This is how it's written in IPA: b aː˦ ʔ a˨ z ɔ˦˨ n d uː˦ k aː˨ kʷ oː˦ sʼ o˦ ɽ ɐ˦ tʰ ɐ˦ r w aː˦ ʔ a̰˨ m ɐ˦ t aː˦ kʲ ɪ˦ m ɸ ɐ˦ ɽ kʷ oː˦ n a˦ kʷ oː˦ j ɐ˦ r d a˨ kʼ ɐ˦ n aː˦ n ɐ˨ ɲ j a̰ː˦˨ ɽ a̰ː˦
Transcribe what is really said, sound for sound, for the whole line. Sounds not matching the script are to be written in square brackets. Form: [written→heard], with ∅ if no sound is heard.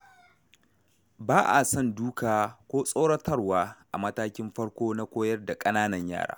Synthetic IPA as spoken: b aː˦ ʔ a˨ [z→s] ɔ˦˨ n d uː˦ k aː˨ kʷ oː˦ sʼ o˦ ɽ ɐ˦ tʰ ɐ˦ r w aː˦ ʔ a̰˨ m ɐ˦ t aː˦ kʲ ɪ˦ m ɸ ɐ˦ ɽ kʷ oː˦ n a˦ kʷ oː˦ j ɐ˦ r d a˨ kʼ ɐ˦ n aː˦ n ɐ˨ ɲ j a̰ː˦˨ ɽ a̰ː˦